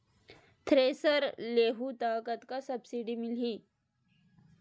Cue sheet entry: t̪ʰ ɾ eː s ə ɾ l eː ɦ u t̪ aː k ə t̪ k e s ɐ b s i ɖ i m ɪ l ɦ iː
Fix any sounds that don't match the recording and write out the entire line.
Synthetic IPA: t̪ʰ ɾ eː s ə ɾ l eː ɦ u t̪ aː k ə t̪ k a s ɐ b s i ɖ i m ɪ l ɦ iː